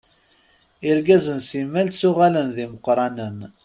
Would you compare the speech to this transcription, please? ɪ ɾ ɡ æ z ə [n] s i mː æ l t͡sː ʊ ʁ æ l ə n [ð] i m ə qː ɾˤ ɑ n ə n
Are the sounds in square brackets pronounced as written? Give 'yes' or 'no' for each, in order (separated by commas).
yes, yes